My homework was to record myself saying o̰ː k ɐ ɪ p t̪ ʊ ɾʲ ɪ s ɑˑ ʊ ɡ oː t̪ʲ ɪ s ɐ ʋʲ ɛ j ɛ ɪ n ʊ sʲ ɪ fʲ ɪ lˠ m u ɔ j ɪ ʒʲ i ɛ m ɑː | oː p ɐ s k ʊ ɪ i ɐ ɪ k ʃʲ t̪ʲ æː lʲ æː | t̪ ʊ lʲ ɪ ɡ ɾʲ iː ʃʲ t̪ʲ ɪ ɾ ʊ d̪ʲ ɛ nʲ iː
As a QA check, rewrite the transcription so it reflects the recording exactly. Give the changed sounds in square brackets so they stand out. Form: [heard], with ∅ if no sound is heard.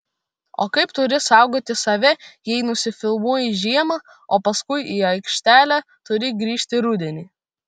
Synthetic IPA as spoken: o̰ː k ɐ ɪ p t̪ ʊ ɾʲ ɪ s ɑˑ ʊ ɡ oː t̪ʲ ɪ s ɐ ʋʲ ɛ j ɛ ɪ n ʊ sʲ ɪ fʲ ɪ lˠ m u ɔ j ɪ ʒʲ i ɛ m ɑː | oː p ɐ s k ʊ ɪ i ɐ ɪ k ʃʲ t̪ʲ æː lʲ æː | t̪ ʊ [ɾʲ] ɪ ɡ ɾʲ iː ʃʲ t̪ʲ ɪ ɾ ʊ d̪ʲ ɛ nʲ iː